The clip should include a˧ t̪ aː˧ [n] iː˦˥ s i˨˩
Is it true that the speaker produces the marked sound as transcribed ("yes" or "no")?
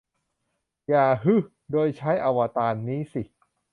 no